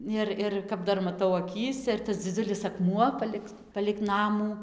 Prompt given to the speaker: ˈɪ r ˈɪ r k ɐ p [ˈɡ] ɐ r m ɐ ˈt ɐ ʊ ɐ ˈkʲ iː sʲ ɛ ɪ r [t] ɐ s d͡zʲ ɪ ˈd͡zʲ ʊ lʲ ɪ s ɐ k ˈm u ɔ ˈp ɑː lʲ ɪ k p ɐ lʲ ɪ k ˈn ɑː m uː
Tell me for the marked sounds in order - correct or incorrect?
incorrect: d, correct

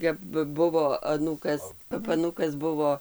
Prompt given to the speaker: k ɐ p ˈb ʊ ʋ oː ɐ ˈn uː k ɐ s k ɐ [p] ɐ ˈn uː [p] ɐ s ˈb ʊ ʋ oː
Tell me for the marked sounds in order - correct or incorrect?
correct, incorrect: k

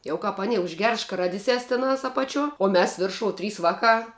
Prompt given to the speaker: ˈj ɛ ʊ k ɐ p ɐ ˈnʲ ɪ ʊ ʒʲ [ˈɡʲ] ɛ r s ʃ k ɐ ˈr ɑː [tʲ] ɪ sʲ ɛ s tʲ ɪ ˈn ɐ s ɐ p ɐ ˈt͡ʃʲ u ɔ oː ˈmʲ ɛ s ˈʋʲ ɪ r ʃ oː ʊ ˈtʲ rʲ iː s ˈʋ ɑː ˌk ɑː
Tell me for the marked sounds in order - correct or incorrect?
correct, incorrect: dʲ

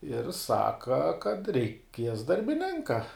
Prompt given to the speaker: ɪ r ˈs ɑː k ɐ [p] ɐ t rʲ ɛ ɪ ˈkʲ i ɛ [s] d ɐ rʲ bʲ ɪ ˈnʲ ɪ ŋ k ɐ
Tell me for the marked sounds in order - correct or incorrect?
incorrect: k, correct

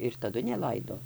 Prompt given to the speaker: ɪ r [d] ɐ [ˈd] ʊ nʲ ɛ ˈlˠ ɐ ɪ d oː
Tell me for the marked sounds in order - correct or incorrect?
incorrect: t, correct

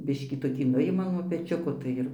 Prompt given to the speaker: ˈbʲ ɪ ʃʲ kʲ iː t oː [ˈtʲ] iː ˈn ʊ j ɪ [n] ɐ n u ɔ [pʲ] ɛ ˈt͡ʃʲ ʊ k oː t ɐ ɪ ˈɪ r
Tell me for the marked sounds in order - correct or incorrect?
incorrect: kʲ, incorrect: m, correct

